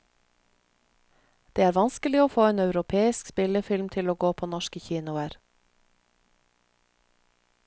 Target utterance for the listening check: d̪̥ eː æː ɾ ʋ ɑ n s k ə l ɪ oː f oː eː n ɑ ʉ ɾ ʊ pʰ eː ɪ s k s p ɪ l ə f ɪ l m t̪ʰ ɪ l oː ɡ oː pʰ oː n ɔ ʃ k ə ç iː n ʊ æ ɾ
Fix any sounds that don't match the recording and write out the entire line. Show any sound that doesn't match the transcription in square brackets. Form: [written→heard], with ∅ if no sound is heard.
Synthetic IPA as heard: d̪̥ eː æː ɾ ʋ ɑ n s k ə l ɪ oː f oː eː n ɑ ʉ ɾ ʊ pʰ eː ɪ s k s p ɪ l ə f ɪ l m t̪ʰ ɪ l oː ɡ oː pʰ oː n ɔ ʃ k ə ç iː n ʊ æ ɾ